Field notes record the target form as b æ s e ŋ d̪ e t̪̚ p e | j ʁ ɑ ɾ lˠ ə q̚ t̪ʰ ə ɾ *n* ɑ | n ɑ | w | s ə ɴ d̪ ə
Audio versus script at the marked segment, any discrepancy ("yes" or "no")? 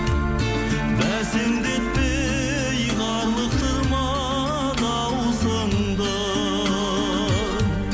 yes